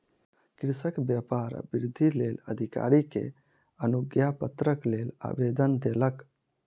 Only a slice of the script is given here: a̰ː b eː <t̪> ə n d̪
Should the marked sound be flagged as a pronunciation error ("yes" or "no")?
yes